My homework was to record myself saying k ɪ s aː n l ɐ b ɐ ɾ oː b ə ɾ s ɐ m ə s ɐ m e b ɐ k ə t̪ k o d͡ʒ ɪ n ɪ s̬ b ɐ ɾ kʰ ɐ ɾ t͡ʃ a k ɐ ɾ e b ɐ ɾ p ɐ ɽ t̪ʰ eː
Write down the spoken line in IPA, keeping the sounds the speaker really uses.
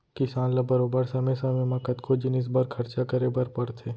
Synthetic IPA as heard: k ɪ s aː n l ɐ b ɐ ɾ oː b ə ɾ s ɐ m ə s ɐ m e m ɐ k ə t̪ k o d͡ʒ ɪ n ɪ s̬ b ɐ ɾ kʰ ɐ ɾ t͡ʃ a k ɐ ɾ e b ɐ ɾ p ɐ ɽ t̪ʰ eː